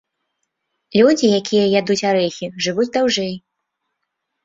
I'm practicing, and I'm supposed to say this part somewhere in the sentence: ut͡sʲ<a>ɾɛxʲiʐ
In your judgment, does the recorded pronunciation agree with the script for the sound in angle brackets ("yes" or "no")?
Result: yes